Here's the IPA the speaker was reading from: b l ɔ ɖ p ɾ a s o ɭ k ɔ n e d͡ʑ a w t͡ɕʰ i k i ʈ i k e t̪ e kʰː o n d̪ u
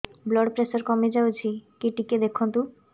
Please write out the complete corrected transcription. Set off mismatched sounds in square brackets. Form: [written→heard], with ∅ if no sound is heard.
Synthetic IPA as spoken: b l ɔ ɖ p ɾ [a→e] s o [ɭ→ɾ] k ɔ [n→m] e d͡ʑ a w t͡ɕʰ i k i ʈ i k e [t̪→d̪] e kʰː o n [d̪→t̪] u